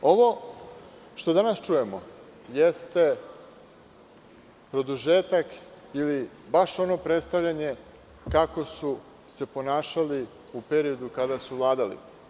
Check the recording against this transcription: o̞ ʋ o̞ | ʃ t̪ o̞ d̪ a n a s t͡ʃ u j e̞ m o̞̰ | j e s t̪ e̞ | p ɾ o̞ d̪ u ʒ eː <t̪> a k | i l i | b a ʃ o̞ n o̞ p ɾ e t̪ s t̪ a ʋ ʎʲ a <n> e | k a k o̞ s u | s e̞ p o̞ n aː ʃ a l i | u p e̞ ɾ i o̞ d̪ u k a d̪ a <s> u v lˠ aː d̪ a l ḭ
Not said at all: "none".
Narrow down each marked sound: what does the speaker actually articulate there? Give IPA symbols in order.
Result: t̪, ɲ, s

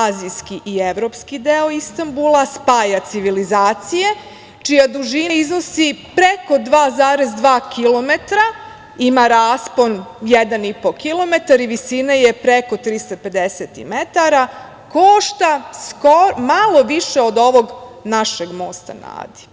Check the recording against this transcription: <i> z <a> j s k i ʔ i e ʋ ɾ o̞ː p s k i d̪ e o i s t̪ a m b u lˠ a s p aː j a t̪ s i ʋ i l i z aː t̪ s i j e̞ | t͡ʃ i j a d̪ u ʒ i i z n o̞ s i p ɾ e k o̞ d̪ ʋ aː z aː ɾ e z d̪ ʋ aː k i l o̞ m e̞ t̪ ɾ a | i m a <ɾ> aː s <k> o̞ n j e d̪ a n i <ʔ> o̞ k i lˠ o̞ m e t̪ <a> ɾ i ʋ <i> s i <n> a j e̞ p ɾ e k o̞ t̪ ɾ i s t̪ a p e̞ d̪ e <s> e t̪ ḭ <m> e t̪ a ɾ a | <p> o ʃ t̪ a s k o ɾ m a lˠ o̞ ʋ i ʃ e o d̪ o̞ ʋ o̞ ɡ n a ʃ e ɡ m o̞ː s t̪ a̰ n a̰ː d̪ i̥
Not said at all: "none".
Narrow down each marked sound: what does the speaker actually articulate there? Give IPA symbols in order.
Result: a, i, ɾ, p, p, a, i, n, s, m, k

